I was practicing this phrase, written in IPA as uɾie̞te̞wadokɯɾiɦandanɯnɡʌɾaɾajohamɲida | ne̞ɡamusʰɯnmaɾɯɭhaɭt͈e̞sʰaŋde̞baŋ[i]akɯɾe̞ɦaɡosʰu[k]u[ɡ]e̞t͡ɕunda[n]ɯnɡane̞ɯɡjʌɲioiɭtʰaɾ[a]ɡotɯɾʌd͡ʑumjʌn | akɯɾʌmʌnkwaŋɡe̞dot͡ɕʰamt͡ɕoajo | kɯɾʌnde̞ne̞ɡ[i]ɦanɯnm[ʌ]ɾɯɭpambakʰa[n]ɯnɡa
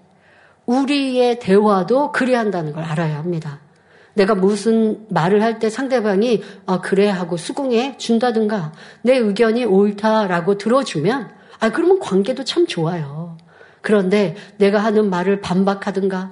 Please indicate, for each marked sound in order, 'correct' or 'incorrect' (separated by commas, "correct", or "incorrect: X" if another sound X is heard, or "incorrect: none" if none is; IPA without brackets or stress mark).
correct, incorrect: ɡ, incorrect: ŋ, incorrect: d, correct, incorrect: a, incorrect: a, incorrect: d